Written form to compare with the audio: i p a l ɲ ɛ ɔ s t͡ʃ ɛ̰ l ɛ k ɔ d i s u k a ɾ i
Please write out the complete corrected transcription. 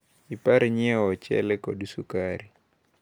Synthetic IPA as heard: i p a ɾ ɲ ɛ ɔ t͡ʃ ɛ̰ l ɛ k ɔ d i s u k a ɾ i